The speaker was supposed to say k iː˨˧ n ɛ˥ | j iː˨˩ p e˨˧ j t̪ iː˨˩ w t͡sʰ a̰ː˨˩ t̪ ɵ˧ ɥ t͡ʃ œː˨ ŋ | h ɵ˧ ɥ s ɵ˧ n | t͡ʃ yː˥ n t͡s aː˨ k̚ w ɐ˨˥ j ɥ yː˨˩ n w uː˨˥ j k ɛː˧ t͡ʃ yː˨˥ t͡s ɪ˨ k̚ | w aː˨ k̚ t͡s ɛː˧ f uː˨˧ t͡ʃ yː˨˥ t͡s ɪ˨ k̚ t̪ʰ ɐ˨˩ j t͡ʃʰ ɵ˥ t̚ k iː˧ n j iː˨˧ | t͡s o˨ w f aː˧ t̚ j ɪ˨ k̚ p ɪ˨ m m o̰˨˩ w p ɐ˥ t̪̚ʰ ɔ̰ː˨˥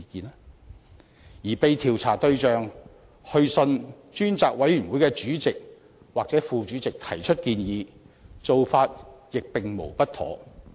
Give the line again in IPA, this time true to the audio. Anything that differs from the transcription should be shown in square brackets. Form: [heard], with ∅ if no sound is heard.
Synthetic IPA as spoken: k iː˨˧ n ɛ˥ | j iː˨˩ p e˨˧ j [t̪ʰ] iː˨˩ w t͡sʰ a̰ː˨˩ t̪ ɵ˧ ɥ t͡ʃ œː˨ ŋ | h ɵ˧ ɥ s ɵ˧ n | t͡ʃ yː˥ n t͡s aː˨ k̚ w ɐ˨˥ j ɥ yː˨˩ n w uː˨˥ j k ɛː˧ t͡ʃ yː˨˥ t͡s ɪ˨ k̚ | w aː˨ k̚ t͡s [ɛː˨˥] f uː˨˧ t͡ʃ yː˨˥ t͡s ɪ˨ k̚ t̪ʰ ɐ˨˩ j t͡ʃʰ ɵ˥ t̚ k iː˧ n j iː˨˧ | t͡s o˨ w f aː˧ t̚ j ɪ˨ k̚ p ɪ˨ [ŋ] m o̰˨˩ w p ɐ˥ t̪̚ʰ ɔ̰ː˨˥